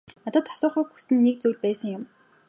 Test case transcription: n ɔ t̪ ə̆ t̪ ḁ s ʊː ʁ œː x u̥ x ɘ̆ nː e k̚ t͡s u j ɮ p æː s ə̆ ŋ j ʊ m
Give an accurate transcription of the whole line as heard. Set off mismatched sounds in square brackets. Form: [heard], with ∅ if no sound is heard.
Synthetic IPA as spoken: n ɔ t̪ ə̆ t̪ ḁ s ʊː [χ] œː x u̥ [s] ɘ̆ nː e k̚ t͡s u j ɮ p æː s ə̆ ŋ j ʊ m